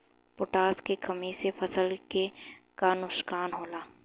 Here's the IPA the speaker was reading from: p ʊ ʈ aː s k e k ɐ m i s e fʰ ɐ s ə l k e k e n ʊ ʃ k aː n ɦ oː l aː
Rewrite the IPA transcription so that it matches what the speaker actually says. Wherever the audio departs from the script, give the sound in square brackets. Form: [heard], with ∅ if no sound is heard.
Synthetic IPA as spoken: p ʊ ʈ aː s k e k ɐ m i s e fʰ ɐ s ə l k e k [a] n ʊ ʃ k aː n ɦ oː l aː